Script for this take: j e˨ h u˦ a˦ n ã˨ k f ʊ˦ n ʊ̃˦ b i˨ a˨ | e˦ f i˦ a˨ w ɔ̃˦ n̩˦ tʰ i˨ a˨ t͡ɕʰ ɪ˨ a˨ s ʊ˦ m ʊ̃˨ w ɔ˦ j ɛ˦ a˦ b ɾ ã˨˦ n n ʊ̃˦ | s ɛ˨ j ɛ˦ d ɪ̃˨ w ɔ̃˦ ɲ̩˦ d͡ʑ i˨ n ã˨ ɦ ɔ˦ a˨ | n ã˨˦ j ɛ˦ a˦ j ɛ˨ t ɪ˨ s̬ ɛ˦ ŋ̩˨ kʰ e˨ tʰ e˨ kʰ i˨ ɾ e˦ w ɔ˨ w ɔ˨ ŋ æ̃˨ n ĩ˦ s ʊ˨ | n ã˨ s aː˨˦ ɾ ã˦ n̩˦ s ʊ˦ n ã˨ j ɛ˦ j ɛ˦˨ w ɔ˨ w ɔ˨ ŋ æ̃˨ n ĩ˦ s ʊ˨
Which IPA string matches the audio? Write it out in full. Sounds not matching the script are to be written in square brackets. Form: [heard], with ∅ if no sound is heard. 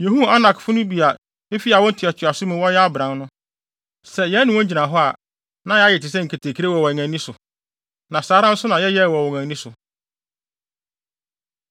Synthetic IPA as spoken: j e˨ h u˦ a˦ n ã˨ k f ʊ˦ n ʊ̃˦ b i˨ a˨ | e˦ f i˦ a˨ w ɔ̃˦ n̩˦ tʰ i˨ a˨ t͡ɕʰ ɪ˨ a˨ s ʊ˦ m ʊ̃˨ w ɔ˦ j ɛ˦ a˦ b ɾ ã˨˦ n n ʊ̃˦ | s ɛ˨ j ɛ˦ [n] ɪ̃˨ w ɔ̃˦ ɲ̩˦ d͡ʑ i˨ n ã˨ ɦ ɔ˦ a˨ | n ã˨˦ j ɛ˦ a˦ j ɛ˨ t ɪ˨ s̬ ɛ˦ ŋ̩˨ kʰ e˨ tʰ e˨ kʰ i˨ ɾ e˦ w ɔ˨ w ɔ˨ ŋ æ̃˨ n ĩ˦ s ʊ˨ | n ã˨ s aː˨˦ ɾ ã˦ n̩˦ s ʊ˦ n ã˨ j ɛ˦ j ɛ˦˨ w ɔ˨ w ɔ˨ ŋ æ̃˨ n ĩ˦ s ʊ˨

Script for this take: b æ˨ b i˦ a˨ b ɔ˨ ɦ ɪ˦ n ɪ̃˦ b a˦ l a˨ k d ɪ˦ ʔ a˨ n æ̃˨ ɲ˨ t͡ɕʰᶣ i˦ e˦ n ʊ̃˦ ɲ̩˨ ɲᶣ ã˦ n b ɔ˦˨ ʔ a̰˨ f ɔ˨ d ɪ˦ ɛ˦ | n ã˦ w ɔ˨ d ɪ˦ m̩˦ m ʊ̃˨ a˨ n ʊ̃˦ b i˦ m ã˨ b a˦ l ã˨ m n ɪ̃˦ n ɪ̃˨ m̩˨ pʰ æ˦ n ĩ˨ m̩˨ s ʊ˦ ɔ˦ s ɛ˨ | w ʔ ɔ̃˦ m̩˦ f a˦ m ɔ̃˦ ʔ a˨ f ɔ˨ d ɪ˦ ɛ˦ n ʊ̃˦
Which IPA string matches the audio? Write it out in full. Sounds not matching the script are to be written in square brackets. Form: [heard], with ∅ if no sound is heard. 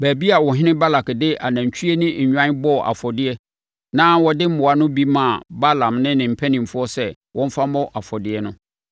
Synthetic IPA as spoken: b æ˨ b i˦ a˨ [w] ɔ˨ ɦ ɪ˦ n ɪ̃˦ b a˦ l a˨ k d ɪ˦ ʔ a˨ n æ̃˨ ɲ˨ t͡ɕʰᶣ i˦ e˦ n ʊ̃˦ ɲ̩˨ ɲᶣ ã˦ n b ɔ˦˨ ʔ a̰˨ f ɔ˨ d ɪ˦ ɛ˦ | n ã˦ w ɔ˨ d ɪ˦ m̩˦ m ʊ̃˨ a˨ n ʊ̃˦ b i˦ m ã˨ b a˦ l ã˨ m n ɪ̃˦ n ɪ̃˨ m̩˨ pʰ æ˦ n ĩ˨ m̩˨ [f] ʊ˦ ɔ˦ s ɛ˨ | w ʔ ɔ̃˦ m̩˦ f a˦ m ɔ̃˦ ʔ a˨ f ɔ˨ d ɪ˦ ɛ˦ n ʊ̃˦

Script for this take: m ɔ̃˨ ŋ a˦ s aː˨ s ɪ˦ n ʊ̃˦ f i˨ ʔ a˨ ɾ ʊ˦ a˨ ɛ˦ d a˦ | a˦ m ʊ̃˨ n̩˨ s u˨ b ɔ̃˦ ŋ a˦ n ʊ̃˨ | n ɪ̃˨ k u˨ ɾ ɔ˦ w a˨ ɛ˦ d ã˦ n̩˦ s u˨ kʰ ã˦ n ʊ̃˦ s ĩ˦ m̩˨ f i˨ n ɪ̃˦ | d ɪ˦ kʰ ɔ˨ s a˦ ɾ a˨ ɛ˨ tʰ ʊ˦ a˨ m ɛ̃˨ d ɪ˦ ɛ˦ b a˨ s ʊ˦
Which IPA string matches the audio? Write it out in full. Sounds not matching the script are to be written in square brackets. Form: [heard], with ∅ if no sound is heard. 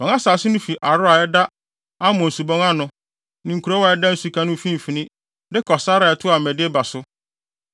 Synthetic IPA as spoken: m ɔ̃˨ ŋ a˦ s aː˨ s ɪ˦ n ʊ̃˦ f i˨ ʔ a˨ ɾ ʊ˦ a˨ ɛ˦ d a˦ | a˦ m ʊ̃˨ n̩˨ s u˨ b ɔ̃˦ ŋ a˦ n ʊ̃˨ | n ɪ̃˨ k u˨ ɾ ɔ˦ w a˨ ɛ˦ d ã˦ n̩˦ s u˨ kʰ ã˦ n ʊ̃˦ [f] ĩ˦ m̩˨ f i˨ n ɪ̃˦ | d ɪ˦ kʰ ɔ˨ s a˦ ɾ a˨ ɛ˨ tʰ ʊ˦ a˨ m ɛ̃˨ d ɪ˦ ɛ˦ b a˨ s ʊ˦

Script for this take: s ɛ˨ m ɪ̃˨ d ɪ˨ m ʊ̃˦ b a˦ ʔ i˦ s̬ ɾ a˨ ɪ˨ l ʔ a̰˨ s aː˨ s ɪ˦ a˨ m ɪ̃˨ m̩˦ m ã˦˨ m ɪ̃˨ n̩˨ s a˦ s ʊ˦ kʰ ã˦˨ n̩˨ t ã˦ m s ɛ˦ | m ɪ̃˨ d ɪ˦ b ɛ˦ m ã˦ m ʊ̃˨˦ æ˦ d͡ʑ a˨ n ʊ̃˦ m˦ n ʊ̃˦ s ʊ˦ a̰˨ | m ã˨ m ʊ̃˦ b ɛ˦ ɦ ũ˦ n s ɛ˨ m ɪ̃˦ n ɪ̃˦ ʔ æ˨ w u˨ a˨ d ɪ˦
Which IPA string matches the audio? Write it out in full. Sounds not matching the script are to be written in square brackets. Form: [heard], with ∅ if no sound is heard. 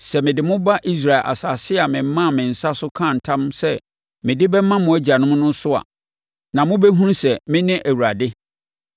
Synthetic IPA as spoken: s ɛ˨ m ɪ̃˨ d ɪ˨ m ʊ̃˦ b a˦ ʔ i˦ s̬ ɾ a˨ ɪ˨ l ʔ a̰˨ s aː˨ s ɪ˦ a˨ m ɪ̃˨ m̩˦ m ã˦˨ m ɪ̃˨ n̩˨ s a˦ s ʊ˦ kʰ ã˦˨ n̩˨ [tʰ] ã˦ m s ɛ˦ | m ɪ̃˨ d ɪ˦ b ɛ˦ m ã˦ m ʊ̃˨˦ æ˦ d͡ʑ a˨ n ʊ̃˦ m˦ n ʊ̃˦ s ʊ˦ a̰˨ | [n] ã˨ m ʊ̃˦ b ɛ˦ ɦ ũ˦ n s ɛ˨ m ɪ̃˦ n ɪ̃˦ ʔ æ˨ w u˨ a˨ d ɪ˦

